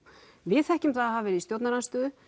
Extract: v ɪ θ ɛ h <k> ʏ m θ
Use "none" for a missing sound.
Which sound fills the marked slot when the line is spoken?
c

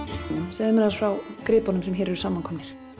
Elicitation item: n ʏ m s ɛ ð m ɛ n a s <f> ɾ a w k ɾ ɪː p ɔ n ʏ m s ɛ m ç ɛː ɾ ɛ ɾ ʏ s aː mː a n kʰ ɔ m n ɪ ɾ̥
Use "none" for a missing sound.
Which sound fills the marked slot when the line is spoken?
f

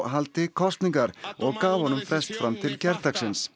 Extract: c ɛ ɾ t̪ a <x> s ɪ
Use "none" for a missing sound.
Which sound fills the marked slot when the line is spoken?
k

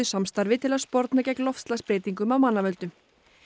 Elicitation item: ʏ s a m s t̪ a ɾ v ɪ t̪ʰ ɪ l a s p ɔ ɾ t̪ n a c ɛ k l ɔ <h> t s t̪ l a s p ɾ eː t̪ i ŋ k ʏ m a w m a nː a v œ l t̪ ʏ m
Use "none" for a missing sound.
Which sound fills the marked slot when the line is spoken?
f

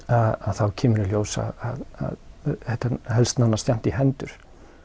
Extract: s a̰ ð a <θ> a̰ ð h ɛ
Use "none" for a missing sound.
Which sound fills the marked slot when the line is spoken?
ð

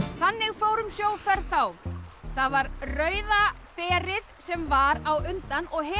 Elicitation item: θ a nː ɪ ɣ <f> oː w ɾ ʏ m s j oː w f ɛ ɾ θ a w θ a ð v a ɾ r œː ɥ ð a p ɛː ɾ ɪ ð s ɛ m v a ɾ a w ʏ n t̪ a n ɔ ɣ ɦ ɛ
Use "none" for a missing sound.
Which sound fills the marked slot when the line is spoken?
f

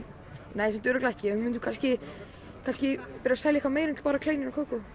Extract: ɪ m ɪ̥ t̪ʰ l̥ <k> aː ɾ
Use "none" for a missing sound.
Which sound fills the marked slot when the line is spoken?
p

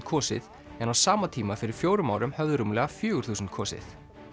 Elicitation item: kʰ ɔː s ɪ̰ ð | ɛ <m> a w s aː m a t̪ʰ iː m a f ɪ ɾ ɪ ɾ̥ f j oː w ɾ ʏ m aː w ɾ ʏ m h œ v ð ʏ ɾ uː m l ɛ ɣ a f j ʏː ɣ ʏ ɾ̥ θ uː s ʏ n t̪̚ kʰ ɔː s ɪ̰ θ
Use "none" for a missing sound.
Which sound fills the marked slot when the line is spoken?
n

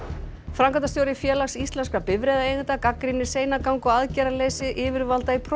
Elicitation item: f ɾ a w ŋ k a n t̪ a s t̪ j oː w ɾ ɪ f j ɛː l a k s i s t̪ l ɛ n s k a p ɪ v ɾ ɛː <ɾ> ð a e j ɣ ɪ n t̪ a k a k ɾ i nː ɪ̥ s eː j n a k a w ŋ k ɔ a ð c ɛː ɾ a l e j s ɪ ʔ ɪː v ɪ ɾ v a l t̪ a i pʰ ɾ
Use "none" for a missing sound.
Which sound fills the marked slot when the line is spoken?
none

